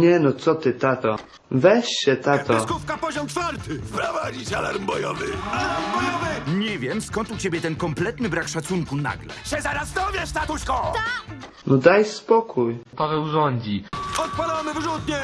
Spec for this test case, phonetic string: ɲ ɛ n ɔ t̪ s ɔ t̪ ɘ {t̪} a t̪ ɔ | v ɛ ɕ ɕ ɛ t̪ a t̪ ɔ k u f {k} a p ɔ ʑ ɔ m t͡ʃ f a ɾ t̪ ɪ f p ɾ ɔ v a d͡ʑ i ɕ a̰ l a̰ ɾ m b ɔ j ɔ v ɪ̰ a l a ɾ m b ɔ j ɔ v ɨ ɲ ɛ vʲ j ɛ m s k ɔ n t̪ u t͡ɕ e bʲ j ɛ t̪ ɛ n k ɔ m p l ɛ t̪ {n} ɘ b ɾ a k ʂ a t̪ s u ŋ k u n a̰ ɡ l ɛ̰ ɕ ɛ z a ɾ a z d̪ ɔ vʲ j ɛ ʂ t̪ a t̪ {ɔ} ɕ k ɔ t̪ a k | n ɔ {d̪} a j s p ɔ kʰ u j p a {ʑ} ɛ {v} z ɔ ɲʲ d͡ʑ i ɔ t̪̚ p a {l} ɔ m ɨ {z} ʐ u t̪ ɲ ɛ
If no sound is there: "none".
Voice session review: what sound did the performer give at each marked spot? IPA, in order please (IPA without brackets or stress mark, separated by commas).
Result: t̪, k, n, u, d̪, v, w, l, v